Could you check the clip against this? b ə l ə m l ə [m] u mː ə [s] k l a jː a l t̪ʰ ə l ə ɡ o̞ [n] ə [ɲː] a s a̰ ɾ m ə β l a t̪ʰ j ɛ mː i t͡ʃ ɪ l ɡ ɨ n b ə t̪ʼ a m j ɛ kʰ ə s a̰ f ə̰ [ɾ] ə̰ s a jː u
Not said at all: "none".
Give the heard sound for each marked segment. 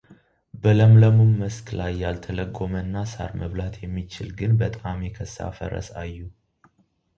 m, s, m, nː, ɾ

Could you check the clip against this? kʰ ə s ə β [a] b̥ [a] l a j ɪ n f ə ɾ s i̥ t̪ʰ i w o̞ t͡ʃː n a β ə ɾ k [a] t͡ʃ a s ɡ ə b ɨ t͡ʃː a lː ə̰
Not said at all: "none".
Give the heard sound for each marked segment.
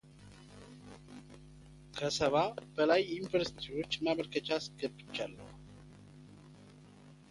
a, ə, ə

